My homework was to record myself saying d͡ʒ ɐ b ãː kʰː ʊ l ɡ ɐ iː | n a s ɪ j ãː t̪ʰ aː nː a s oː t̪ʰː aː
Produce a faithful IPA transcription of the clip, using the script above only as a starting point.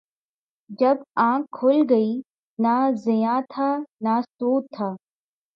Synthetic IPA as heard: d͡ʒ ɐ b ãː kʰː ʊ l ɡ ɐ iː | n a z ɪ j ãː t̪ʰ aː n a s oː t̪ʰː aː